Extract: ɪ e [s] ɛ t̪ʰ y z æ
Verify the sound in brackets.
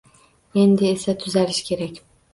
correct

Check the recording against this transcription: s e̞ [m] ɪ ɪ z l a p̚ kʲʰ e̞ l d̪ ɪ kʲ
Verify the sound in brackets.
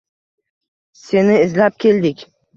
incorrect: n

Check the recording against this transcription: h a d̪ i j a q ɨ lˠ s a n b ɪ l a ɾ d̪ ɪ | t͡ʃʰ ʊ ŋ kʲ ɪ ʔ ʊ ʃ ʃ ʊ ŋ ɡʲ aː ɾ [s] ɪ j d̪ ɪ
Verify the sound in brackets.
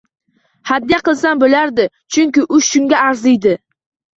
incorrect: z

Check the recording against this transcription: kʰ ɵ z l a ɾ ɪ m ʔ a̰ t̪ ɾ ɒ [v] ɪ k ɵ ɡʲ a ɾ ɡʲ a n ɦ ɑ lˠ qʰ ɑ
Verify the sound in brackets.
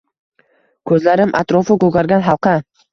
incorrect: f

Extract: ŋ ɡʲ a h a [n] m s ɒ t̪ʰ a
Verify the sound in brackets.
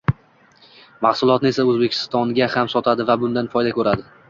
incorrect: none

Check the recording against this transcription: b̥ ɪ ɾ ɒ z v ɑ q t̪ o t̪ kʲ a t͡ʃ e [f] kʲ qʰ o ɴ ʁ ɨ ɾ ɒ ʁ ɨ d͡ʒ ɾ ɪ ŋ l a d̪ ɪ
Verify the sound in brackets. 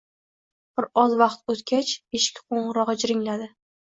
incorrect: ʃ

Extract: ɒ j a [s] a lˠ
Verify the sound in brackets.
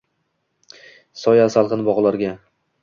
correct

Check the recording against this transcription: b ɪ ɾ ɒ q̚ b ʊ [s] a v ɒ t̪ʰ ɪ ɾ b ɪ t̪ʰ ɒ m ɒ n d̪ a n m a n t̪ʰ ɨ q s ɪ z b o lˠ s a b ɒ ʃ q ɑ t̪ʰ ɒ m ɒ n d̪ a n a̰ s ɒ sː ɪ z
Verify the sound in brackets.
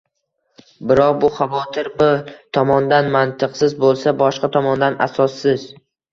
incorrect: χ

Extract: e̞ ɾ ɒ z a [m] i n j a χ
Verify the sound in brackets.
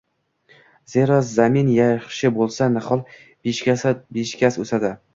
correct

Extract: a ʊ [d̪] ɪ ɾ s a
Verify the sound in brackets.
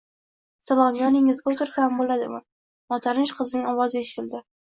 incorrect: t̪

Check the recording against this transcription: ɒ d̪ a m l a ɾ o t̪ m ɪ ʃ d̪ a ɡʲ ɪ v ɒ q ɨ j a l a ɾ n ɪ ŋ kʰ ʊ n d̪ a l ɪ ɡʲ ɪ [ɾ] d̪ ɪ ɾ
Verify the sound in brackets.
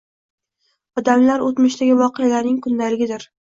incorrect: none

